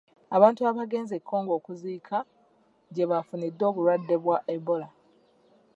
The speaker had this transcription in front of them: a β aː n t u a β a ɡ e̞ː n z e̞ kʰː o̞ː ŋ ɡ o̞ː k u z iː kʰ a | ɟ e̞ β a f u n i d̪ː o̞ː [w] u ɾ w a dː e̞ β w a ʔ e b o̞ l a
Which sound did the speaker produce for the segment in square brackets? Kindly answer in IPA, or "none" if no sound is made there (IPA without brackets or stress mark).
β